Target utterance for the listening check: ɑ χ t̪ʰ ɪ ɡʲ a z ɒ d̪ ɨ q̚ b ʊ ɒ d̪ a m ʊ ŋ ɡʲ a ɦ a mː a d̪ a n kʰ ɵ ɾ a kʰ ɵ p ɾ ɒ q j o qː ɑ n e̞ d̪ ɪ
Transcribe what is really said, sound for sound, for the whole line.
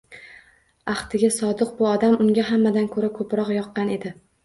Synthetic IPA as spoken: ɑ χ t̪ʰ ɪ ɡʲ a s ɒ d̪ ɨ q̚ b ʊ ɒ d̪ a m ʊ ŋ ɡʲ a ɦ a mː a d̪ a n kʰ ɵ ɾ a kʰ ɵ p ɾ ɒ q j ɒ qː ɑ n e̞ d̪ ɪ